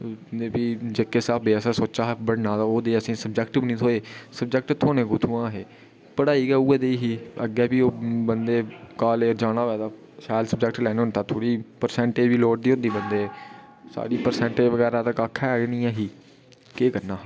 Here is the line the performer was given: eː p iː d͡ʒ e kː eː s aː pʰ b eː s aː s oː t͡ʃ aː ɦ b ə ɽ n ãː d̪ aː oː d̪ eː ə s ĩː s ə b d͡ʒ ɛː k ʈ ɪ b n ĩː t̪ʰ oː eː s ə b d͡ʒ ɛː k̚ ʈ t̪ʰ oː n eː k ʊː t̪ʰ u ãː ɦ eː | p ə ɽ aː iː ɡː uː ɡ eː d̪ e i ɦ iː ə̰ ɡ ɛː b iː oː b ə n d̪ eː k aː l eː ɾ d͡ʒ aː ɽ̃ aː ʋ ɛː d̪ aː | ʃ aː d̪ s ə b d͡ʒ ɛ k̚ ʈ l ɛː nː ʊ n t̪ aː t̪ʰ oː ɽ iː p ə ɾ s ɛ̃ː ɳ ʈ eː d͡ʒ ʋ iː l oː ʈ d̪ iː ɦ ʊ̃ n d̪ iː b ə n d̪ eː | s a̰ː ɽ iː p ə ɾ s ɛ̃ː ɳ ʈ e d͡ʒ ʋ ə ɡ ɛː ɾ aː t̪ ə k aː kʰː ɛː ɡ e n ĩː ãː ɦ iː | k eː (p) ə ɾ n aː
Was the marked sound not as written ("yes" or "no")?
yes